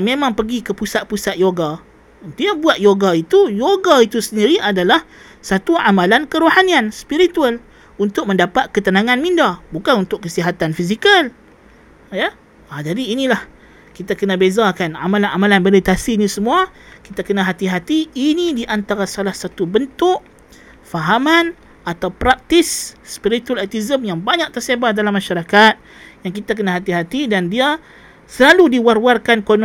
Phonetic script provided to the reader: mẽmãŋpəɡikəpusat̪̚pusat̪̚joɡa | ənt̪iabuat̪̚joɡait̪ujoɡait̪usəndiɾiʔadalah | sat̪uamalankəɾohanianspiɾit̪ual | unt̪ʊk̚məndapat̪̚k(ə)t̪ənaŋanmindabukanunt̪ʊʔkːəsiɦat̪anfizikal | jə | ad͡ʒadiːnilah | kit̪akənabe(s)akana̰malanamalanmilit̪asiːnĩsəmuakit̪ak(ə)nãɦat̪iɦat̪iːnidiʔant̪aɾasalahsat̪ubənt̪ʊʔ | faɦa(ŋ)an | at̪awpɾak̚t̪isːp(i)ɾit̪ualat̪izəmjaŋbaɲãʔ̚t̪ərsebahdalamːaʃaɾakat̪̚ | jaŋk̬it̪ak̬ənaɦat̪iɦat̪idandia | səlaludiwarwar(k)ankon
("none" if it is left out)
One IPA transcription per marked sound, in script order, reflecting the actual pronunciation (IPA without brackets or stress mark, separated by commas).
ə, z, ə, m, i, k